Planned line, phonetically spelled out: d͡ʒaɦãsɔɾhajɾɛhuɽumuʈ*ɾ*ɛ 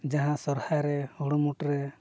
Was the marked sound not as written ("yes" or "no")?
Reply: no